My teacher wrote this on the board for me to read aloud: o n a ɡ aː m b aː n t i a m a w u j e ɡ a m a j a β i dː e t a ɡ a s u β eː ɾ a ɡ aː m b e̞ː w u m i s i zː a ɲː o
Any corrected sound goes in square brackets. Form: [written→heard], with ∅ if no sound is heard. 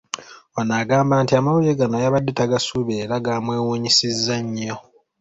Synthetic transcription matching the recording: o n a ɡ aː m b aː n t i a m a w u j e ɡ a [m→n] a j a β [i→a] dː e t a ɡ a s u β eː ɾ a ɡ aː m [b→w] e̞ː w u [m→ɲ] i s i zː a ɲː o